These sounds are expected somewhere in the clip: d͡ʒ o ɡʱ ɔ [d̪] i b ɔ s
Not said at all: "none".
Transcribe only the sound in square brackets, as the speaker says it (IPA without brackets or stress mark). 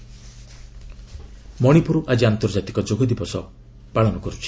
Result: d̪